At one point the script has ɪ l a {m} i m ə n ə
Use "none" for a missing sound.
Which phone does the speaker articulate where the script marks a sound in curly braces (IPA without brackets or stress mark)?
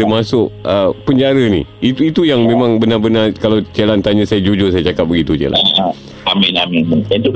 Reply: m